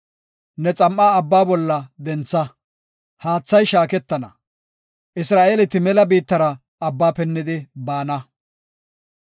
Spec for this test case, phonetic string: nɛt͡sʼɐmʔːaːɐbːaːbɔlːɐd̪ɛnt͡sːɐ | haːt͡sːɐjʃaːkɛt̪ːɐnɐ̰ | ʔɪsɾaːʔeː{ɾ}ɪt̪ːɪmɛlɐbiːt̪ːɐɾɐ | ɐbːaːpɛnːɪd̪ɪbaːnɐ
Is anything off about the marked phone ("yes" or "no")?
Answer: yes